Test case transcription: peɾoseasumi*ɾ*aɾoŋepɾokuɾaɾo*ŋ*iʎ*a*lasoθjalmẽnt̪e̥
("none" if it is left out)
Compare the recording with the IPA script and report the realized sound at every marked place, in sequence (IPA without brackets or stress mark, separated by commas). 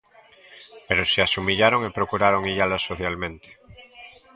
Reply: ʎ, ŋ, a